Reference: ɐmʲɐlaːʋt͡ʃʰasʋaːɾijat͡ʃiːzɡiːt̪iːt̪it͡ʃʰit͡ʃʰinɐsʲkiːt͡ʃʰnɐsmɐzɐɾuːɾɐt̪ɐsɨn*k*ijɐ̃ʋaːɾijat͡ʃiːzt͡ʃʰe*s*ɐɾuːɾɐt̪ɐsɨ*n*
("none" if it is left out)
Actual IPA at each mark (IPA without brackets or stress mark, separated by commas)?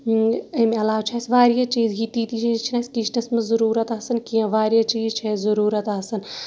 k, z, n